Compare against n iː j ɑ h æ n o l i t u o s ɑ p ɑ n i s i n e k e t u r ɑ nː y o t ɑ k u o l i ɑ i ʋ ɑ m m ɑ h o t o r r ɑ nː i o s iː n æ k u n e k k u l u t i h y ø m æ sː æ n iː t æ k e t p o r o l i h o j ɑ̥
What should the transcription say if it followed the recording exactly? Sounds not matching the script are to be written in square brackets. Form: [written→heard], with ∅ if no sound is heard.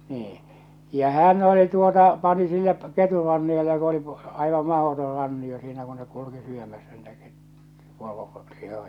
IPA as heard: n iː j ɑ h æ n o l i t u o [s→t] ɑ p ɑ n i s i [n→nː] e k e t u r ɑ nː [y→i] o t ɑ k u o l i ɑ i ʋ ɑ m m ɑ h o t o r r ɑ nː i o s iː n æ k u n e k k u l u [t→k] i [h→s] y ø m æ sː æ n iː t æ k e t p o r o l i h o j ɑ̥